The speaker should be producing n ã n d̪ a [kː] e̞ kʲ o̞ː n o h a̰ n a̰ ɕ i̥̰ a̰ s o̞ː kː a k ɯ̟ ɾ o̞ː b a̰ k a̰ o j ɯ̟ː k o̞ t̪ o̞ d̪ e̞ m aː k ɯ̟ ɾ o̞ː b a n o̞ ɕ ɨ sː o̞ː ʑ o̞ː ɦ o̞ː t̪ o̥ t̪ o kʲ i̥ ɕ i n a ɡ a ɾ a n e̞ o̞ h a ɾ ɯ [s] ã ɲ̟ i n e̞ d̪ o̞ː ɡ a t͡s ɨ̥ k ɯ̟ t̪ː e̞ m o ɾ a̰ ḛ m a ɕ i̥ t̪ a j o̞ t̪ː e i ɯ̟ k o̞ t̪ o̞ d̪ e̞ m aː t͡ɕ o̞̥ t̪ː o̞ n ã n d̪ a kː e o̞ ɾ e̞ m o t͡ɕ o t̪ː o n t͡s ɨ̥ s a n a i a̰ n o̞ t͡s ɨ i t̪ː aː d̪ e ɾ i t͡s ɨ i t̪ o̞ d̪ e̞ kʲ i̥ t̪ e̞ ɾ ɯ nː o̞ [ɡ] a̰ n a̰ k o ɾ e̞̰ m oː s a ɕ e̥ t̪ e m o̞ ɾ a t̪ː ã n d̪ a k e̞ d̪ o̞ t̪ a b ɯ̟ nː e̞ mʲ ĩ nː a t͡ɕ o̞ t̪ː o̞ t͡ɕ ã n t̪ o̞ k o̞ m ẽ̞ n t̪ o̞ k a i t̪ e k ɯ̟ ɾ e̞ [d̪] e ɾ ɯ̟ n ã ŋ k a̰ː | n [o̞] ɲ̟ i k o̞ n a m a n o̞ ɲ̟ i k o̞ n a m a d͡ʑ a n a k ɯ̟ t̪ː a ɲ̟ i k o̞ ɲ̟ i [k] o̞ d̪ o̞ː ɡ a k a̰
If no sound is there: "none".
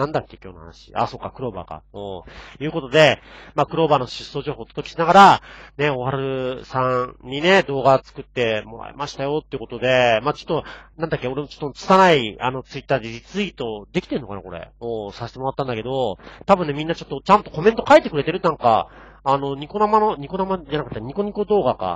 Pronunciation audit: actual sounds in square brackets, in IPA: kː, s, k, t̪, o̞, k

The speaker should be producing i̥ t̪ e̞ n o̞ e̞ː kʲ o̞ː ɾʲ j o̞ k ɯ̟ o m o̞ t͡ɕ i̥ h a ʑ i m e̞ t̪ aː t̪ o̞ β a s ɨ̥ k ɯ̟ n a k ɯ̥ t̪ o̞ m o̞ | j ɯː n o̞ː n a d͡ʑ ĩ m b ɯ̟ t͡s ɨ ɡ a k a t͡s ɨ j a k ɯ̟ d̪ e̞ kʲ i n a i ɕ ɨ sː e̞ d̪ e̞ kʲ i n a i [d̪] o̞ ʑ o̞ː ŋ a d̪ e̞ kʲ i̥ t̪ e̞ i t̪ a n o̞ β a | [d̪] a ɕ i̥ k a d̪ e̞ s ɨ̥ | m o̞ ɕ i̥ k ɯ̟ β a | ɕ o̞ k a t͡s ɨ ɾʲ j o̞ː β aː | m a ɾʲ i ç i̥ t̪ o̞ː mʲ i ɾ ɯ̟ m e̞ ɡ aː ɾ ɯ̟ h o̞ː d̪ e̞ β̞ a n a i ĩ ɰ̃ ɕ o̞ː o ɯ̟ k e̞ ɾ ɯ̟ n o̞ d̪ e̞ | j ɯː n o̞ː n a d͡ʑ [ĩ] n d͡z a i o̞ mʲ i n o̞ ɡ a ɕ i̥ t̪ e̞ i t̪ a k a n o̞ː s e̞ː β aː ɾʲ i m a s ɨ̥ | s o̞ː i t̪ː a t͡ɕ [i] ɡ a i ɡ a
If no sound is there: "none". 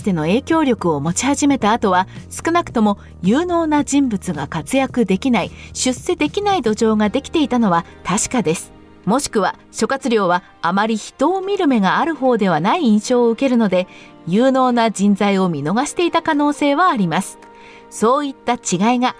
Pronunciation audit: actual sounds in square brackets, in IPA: d̪, t̪, ĩ, i

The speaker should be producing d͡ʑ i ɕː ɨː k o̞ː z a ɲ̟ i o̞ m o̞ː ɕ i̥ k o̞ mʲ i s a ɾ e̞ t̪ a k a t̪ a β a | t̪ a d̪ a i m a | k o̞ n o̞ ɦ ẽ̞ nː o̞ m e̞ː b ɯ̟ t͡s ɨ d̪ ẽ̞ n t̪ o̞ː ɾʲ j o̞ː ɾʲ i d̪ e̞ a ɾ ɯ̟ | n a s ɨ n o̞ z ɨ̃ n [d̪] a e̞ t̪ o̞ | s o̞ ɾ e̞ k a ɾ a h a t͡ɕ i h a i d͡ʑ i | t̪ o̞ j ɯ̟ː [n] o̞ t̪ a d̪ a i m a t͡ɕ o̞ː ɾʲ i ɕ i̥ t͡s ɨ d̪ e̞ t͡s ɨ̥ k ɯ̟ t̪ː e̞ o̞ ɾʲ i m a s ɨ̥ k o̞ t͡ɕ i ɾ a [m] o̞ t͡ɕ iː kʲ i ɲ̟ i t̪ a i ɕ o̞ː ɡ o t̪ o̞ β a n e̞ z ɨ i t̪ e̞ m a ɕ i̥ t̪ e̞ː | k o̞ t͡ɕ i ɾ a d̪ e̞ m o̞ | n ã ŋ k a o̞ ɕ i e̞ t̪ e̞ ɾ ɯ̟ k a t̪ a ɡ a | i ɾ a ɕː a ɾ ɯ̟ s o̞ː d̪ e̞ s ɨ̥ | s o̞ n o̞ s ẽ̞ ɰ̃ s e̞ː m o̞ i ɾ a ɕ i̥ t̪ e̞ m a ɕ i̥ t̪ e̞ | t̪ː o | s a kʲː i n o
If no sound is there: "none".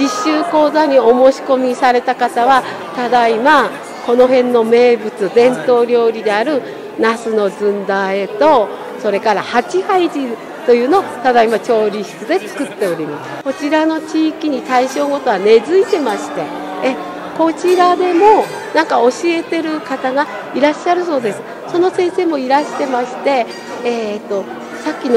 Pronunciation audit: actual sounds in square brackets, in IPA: d̪, n, n

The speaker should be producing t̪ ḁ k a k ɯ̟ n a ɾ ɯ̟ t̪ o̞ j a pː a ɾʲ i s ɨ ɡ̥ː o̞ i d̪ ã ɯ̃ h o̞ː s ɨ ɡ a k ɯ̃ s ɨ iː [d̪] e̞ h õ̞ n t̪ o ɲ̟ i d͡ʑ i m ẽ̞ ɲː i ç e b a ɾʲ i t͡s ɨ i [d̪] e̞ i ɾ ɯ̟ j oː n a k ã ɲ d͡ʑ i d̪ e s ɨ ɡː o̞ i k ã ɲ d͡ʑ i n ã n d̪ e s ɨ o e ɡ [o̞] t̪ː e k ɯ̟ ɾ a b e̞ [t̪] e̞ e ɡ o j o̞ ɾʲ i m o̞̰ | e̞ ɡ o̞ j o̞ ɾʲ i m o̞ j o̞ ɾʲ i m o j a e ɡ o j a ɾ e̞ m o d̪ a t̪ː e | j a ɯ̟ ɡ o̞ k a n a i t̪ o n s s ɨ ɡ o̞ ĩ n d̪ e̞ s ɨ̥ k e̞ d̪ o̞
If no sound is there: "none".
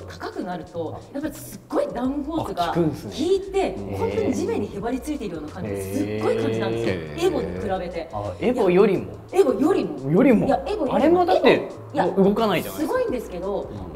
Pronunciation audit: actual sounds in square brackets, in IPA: t̪, t̪, o̞, t̪

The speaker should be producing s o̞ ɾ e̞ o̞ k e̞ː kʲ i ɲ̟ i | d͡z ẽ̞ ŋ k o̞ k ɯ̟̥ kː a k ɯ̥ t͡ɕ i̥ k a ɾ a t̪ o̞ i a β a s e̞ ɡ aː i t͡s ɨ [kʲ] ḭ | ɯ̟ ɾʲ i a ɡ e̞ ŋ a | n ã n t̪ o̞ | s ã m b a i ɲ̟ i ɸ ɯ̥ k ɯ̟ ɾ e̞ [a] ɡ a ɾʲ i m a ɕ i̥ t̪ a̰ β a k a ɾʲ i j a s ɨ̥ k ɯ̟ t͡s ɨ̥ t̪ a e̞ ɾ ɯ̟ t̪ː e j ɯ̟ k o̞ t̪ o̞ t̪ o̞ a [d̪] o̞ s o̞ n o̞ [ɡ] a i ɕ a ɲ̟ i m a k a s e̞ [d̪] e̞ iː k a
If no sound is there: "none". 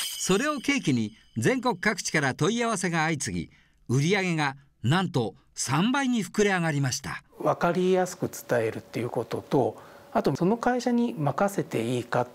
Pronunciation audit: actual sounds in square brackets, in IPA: ɡʲ, a, t̪, k, t̪

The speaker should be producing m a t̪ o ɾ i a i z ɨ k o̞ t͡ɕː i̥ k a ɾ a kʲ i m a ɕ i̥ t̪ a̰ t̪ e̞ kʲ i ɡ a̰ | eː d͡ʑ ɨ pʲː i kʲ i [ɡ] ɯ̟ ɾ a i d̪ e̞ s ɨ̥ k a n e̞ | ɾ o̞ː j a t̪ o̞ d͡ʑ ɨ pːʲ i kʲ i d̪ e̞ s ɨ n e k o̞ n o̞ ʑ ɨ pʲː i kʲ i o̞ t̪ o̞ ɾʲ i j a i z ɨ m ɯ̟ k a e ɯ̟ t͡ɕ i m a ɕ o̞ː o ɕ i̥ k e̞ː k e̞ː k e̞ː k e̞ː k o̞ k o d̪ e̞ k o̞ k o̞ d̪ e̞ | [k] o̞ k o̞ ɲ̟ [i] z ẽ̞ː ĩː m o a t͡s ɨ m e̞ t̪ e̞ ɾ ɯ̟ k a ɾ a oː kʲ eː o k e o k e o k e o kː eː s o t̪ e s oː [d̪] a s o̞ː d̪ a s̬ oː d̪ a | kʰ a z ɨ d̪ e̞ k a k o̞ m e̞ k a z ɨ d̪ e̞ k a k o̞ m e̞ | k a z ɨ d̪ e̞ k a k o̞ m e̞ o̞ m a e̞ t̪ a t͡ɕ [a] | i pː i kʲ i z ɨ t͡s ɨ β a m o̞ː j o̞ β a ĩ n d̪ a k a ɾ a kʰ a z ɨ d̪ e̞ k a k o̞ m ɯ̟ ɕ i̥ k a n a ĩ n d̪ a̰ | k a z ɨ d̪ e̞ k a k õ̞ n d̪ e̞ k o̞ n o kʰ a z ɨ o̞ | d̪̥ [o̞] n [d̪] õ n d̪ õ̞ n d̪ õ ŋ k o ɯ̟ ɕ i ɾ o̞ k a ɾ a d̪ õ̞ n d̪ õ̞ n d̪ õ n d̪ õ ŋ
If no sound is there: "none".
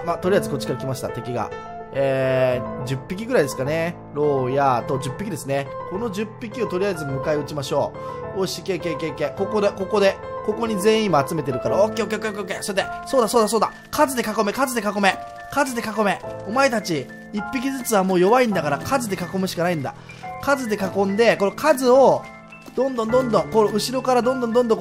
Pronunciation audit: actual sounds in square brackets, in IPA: ɡ, k, i, d̪, i, õ̞, d̪

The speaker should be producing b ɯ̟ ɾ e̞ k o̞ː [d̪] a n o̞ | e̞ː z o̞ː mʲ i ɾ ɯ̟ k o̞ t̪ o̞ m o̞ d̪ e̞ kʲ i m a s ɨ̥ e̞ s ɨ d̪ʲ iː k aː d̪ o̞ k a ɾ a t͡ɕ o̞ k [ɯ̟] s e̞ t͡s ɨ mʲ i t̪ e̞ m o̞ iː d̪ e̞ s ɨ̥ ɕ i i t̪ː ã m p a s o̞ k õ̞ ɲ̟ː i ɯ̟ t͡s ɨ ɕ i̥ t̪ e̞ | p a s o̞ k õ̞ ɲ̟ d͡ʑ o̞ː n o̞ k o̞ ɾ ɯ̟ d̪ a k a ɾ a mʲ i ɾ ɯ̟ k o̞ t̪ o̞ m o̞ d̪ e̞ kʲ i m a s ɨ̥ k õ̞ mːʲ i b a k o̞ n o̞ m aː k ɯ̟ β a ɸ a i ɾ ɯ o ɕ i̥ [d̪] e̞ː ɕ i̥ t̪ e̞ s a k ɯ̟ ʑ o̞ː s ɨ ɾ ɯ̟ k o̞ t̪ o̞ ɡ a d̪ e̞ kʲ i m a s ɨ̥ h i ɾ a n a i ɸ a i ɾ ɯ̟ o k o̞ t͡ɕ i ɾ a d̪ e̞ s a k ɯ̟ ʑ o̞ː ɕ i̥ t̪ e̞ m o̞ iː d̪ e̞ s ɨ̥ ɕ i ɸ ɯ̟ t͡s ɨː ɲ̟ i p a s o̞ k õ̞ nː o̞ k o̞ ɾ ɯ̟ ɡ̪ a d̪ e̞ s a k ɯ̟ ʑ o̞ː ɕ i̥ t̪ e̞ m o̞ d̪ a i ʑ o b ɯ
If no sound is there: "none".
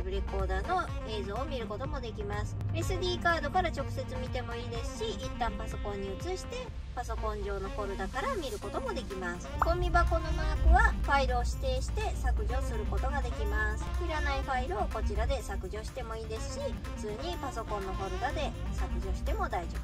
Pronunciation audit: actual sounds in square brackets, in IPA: d̪, ɯ̟, t̪

